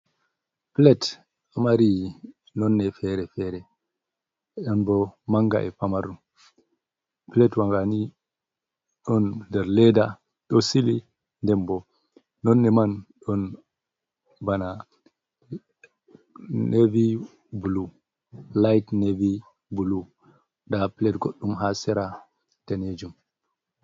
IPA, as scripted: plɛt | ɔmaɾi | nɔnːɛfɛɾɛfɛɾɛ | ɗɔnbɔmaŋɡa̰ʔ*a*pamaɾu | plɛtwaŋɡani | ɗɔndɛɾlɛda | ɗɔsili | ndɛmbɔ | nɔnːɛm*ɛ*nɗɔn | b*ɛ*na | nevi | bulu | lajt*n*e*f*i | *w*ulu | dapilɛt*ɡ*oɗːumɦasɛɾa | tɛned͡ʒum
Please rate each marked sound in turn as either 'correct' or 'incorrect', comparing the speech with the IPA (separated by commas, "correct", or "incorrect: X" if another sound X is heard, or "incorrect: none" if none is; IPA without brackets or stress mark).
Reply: incorrect: ɛ, incorrect: a, incorrect: a, correct, incorrect: v, incorrect: b, correct